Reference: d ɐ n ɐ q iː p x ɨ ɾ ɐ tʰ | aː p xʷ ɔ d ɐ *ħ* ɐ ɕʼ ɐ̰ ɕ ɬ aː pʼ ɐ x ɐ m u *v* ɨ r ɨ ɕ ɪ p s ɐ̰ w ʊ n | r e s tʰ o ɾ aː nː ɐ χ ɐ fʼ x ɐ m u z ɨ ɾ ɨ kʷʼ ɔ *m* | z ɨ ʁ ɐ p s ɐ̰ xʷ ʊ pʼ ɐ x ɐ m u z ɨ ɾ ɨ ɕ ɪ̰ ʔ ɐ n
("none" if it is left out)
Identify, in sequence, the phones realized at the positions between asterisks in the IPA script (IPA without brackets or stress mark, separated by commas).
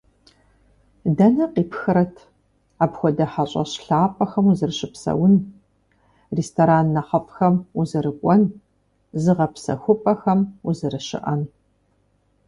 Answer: ħ, z, n